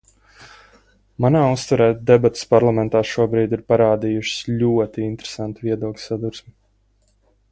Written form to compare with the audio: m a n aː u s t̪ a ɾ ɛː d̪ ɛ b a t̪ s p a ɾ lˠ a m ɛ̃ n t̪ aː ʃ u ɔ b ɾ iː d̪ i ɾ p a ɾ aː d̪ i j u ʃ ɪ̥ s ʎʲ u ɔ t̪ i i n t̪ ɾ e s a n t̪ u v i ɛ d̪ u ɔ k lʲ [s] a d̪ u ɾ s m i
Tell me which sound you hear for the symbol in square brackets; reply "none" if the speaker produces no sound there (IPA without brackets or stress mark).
s